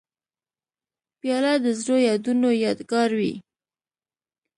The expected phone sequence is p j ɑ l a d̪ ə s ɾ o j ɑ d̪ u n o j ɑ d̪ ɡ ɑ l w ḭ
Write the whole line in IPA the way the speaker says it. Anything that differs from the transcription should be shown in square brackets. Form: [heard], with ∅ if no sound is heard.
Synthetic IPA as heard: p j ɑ l a d̪ ə [z] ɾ o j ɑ d̪ u n o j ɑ d̪ ɡ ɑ [ɾ] w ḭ